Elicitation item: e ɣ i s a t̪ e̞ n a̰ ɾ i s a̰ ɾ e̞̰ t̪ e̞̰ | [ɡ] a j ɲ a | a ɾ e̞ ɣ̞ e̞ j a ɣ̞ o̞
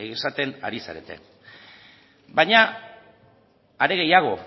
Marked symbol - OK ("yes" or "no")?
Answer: no